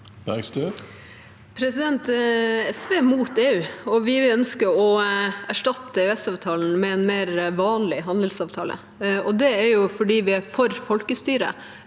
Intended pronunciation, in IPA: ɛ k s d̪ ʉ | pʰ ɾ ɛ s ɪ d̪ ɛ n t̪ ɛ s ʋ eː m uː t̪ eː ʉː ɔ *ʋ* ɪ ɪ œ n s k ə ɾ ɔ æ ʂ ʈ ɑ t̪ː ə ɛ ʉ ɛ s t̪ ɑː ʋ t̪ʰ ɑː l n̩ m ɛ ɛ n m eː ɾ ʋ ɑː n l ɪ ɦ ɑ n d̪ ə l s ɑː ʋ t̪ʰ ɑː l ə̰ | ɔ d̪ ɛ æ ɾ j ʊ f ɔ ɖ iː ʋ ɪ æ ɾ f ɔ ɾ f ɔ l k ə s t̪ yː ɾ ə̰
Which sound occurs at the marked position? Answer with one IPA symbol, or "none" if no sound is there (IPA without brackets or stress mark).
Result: ʋ